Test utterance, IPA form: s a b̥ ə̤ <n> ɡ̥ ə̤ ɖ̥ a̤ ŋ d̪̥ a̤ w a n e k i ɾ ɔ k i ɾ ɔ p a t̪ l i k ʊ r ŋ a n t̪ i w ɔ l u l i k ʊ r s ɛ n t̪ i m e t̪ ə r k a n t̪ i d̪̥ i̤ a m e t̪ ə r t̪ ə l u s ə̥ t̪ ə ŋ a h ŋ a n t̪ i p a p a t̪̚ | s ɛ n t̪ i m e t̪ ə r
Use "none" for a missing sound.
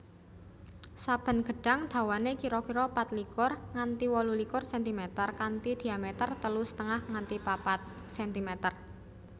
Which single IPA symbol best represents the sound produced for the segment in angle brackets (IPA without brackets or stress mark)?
n